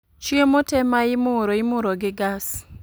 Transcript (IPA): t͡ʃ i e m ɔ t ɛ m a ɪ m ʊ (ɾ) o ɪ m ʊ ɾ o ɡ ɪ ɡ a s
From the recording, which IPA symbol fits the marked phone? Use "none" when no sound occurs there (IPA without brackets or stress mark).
ɾ